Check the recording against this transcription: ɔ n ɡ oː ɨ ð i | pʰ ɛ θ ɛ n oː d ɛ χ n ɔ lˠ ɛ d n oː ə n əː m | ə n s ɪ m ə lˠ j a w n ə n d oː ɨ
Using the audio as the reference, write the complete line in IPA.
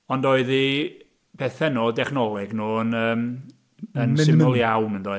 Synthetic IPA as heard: ɔ n d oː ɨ ð i | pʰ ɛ θ ɛ n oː d ɛ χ n ɔ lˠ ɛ ɡ n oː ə n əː m | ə n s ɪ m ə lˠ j a w n ə n d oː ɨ